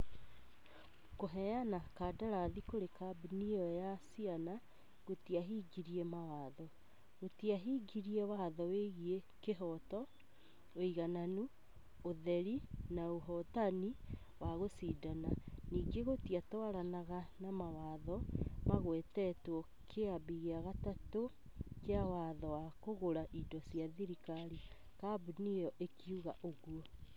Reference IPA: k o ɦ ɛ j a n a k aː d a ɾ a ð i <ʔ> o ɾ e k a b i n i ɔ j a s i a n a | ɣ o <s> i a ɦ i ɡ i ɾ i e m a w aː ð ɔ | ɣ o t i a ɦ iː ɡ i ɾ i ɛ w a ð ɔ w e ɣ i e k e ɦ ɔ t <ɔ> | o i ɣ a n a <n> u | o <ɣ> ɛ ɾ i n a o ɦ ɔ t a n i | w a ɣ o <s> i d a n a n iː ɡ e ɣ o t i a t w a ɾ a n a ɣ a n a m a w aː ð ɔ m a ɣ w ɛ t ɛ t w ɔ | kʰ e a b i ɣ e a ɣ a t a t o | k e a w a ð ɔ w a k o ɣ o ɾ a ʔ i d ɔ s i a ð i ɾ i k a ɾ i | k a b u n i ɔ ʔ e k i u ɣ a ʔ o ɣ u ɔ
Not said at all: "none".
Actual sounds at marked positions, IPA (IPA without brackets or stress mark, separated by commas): k, t, ɔ, n, ð, s